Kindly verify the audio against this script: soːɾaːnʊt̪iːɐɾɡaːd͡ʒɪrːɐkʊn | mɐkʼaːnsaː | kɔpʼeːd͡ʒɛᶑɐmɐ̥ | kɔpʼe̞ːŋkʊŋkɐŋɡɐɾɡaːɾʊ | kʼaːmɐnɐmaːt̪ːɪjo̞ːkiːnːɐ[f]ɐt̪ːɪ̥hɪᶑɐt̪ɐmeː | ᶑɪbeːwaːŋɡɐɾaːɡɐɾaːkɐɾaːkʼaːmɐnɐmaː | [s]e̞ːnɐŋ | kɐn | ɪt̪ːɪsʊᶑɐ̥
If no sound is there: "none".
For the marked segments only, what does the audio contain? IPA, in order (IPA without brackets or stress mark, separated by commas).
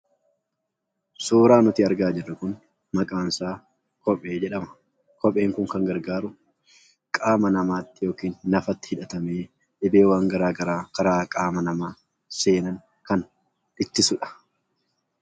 f, s